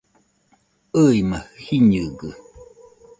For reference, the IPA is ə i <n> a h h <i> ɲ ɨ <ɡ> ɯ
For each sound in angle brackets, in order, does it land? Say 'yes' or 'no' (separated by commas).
no, yes, yes